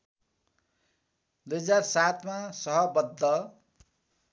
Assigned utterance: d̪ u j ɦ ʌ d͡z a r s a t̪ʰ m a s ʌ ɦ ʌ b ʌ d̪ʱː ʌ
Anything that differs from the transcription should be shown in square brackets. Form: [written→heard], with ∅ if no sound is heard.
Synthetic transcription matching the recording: d̪ u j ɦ ʌ d͡z a r s a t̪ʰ m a s ʌ ɦ ʌ b ʌ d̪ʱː ʌ